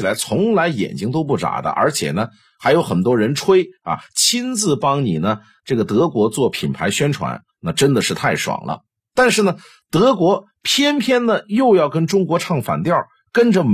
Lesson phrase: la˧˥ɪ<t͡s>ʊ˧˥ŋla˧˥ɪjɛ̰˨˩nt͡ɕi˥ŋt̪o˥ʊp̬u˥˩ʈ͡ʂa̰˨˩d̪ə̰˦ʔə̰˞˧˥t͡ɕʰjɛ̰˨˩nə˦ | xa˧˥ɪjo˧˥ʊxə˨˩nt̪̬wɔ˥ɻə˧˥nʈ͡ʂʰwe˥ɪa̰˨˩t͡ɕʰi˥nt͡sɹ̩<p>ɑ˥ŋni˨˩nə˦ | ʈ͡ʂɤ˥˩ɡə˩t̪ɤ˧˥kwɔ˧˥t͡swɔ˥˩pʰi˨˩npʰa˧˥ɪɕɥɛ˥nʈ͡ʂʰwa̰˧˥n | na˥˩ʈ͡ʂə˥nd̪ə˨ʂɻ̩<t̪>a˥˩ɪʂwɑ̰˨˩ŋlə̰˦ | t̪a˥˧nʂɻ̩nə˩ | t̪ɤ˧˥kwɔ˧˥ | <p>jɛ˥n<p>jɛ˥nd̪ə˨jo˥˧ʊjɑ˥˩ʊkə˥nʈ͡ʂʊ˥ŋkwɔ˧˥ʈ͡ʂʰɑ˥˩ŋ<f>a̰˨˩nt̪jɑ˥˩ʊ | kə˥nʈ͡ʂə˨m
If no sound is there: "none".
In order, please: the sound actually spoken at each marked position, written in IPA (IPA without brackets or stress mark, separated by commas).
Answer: t͡sʰ, p, t̪ʰ, pʰ, pʰ, f